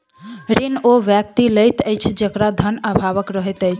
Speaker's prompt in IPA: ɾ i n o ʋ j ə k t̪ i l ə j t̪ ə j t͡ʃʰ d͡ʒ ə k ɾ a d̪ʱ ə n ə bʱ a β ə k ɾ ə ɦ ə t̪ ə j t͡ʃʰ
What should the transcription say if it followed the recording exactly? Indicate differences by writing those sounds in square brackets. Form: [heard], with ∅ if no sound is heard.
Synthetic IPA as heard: ɾ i n o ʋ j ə k t̪ i l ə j t̪ ə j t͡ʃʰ d͡ʒ ə k ɾ a d̪ʱ ə n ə bʱ a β ə k ɾ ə ɦ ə t̪ ə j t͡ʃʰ